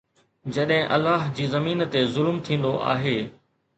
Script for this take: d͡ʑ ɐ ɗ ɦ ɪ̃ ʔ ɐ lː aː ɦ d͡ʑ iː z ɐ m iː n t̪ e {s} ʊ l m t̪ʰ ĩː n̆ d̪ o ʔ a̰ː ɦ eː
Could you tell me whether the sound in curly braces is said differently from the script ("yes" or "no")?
yes